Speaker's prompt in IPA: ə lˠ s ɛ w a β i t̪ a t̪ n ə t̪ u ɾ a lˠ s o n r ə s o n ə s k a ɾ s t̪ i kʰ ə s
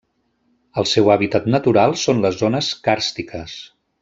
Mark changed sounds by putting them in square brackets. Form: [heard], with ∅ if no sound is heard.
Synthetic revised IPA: ə lˠ s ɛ w a β i t̪ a t̪ n ə t̪ u ɾ a lˠ s o n [l] ə [z] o n ə s k a ɾ s t̪ i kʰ ə s